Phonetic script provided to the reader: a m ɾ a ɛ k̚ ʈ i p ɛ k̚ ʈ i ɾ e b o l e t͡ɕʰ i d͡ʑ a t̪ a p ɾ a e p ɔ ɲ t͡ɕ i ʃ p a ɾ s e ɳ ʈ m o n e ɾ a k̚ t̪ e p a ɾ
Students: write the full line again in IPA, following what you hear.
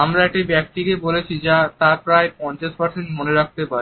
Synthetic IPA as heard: a m ɾ a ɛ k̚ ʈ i b ɛ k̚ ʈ i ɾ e b o l e t͡ɕʰ i d͡ʑ a t̪ a p ɾ a e p ɔ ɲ t͡ɕ a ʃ p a ɾ s e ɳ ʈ m o n e ɾ a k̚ t̪ e p a ɾ